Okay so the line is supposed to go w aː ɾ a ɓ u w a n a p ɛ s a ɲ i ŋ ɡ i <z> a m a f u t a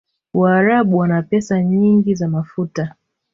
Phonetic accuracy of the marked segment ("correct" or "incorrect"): correct